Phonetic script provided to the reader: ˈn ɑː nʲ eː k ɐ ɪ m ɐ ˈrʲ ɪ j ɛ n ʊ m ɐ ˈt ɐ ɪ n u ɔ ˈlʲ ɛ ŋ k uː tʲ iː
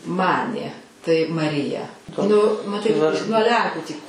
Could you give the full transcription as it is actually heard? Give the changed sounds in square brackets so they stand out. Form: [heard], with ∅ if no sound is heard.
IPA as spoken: [ˈm] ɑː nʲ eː [t] ɐ ɪ m ɐ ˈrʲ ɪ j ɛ n ʊ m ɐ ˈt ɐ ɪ n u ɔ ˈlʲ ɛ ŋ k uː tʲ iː